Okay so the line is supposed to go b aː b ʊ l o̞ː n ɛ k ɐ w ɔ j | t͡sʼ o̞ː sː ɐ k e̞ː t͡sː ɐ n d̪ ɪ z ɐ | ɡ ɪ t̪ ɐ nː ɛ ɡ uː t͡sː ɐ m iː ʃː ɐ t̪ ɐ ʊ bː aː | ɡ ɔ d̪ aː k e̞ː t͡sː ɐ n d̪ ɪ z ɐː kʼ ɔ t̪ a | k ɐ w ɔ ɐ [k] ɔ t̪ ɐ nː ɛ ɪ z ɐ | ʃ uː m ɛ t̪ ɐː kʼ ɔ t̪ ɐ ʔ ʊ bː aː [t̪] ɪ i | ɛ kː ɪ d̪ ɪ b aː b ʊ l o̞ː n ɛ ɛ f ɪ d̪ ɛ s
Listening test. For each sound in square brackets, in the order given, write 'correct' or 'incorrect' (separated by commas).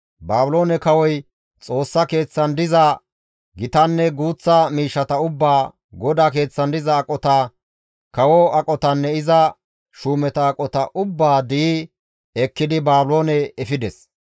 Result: incorrect, incorrect